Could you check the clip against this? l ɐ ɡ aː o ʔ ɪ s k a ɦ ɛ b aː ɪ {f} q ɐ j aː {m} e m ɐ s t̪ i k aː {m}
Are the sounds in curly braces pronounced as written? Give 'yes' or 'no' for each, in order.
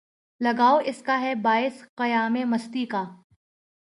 no, yes, no

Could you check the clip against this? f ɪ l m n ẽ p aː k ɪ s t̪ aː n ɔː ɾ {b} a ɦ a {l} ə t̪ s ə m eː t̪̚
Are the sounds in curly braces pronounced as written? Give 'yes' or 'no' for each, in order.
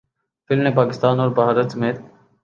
yes, no

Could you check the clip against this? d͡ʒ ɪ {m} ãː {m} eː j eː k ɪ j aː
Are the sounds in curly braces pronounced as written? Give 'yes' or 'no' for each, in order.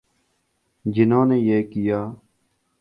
no, no

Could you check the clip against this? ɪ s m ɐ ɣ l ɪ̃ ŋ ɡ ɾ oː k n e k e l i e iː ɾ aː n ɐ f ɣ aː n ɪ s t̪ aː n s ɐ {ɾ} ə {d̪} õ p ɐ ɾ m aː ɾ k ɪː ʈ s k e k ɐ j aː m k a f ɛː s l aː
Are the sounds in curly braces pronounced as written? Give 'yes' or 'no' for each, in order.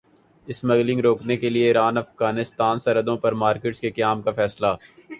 yes, yes

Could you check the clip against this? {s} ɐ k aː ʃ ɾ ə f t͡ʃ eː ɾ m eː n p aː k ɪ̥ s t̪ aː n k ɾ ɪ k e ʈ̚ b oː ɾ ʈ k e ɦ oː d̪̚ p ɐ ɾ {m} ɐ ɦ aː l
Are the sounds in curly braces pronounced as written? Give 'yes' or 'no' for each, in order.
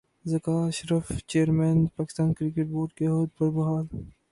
no, no

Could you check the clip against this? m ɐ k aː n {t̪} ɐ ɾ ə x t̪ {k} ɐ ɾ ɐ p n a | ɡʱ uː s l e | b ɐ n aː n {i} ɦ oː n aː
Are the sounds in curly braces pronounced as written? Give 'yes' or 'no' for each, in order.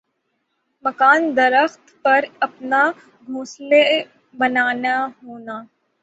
no, no, no

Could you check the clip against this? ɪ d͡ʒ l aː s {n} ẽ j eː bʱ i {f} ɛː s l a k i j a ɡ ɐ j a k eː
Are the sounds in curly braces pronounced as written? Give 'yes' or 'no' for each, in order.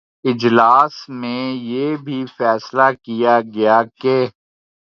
no, yes

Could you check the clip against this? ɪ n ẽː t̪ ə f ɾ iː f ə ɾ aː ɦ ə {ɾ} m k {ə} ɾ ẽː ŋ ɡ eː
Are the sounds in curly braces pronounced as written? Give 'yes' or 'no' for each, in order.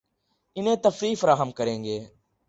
no, yes

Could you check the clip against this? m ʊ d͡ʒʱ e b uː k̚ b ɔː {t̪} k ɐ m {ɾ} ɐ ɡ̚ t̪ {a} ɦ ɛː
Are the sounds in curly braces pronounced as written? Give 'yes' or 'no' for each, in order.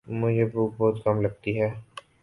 yes, no, no

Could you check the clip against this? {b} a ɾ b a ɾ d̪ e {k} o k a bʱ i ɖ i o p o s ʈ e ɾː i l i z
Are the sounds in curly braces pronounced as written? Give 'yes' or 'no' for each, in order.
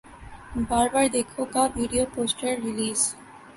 yes, no

